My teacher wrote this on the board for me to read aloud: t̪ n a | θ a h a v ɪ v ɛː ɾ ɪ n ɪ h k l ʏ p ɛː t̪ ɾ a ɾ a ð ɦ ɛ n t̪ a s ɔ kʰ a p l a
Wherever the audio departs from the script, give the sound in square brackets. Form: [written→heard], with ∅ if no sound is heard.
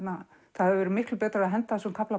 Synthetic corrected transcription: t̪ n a | θ a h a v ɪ v ɛː ɾ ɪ [n→m] ɪ h k l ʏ p ɛː t̪ ɾ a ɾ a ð ɦ ɛ n t̪ a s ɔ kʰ a p l a